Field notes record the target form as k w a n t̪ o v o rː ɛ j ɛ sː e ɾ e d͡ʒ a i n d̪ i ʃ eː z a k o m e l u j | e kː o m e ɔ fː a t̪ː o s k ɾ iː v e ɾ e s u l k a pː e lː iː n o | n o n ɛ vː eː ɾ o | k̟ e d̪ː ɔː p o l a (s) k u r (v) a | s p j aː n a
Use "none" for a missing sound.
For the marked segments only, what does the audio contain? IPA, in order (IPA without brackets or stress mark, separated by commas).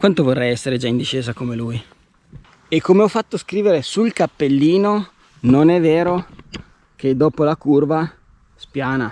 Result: none, v